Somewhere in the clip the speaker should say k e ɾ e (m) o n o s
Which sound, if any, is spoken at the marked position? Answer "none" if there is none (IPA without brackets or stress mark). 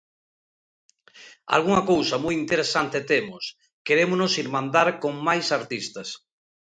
m